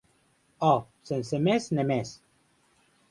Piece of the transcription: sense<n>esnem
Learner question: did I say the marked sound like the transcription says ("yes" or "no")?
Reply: no